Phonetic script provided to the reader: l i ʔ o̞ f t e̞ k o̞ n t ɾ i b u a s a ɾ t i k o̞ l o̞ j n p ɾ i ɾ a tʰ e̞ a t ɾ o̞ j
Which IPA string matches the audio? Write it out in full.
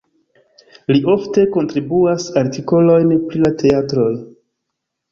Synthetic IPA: l i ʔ o̞ f t e̞ k o̞ n t ɾ i b u a s a ɾ t i k o̞ l o̞ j n p ɾ i l a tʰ e̞ a t ɾ o̞ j

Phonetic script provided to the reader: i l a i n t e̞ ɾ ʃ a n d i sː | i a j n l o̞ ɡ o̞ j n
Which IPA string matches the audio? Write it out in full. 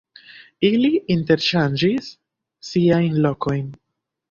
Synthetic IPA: i l i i n t e̞ ɾ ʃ a n d͡ʒ i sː | i a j n l o̞ k o̞ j n

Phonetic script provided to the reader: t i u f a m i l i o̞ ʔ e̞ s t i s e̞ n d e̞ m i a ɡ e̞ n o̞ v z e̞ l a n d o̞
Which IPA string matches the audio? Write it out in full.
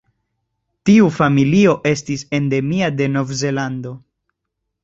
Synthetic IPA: t i u f a m i l i o̞ ʔ e̞ s t i s e̞ n d e̞ m i a d e̞ n o̞ v z e̞ l a n d o̞

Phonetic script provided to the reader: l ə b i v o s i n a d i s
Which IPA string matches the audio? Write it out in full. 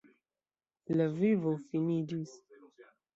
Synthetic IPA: l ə v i v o f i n i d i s

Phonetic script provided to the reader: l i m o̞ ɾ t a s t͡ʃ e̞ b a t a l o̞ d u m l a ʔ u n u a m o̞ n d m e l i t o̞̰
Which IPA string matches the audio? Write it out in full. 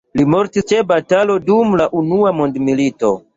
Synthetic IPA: l i m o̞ ɾ t i s t͡ʃ e̞ b a t a l o̞ d u m l a ʔ u n u a m o̞ n d m i l i t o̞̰

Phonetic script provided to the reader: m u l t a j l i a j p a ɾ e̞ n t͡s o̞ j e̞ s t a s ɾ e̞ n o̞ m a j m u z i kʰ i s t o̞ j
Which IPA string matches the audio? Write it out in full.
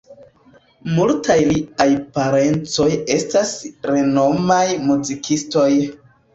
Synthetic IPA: m u l t a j l i a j p a ɾ e̞ n t͡s o̞ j e̞ s t a s ɾ e̞ n o̞ m a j m u z i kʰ i s t o̞ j

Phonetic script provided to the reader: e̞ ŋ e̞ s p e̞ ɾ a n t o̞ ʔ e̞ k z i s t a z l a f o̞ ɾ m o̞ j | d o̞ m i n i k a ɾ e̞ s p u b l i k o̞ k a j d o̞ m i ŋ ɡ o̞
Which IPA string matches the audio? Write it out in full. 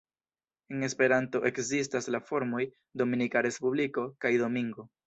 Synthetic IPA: e̞ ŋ e̞ s p e̞ ɾ a n t o̞ ʔ e̞ k z i s t a s l a f o̞ ɾ m o̞ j | d o̞ m i n i k a ɾ e̞ s p u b l i k o̞ k a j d o̞ m i ŋ ɡ o̞

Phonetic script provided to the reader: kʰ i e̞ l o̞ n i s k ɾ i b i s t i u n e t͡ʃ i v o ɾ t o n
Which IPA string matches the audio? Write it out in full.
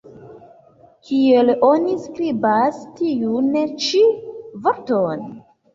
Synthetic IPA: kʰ i e̞ l o̞ n i s k ɾ i b a s t i u n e t͡ʃ i v o ɾ t o n

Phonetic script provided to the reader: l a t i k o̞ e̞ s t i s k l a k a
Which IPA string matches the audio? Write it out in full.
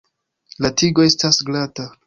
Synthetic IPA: l a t i ɡ o̞ e̞ s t a s ɡ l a t a

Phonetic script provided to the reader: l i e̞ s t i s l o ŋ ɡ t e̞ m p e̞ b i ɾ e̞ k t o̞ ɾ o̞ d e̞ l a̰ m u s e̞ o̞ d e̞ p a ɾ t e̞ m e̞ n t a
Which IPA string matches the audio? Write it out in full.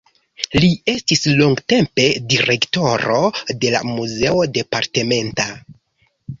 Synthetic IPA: l i e̞ s t i s l o ŋ ɡ t e̞ m p e̞ d i ɾ e̞ k t o̞ ɾ o̞ d e̞ l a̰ m u z e̞ o̞ d e̞ p a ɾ t e̞ m e̞ n t a

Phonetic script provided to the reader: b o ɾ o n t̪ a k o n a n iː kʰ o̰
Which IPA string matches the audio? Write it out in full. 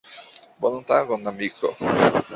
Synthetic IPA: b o l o n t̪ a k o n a m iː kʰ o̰

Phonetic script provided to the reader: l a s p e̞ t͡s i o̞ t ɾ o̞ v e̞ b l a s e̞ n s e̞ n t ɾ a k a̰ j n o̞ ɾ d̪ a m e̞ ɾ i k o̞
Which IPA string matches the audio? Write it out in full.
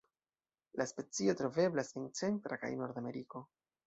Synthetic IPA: l a s p e̞ t͡s i o̞ t ɾ o̞ v e̞ b l a s e̞ n t͡s e̞ n t ɾ a k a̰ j n o̞ ɾ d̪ a m e̞ ɾ i k o̞

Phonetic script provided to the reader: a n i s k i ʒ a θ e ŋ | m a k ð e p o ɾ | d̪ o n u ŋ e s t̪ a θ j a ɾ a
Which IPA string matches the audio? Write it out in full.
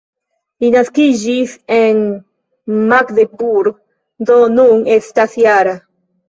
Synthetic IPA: i n a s k i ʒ i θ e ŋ | m a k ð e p u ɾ | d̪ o n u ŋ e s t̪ a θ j a ɾ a

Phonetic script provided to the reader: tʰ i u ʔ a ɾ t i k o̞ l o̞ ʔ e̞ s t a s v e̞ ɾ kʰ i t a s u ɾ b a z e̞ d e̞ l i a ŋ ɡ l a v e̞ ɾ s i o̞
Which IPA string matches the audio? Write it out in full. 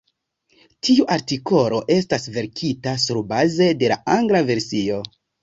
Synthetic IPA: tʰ i u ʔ a ɾ t i k o̞ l o̞ ʔ e̞ s t a s v e̞ ɾ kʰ i t a s u ɾ b a z e̞ d e̞ l a a ŋ ɡ l a v e̞ ɾ s i o̞

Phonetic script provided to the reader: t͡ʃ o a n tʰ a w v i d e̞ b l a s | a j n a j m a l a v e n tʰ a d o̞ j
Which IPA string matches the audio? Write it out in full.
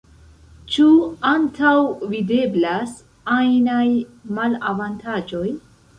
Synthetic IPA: t͡ʃ u a n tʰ a w v i d e̞ b l a s | a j n a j m a l a v a n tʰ a d͡ʒ o̞ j

